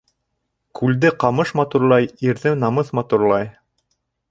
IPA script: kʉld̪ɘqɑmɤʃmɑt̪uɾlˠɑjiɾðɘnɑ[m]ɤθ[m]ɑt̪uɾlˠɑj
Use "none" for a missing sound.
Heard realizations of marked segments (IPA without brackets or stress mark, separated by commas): m, m